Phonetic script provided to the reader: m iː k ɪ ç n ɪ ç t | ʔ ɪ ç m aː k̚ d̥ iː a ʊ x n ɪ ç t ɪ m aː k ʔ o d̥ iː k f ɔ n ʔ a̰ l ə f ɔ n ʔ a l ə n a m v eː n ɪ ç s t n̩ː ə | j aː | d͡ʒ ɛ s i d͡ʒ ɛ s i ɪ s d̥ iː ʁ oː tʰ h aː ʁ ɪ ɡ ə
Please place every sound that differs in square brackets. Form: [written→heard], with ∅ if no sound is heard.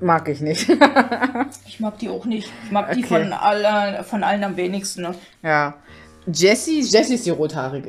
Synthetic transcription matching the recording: m [iː→aː] k ɪ ç n ɪ ç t | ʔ ɪ ç m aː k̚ d̥ iː a ʊ x n ɪ ç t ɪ m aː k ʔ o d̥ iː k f ɔ n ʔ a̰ l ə f ɔ n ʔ a l ə n a m v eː n ɪ ç s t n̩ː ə | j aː | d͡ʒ ɛ s i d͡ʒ ɛ s i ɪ s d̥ iː ʁ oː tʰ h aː ʁ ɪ ɡ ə